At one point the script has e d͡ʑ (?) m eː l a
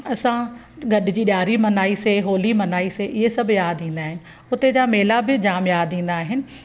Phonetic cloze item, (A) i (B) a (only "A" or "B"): B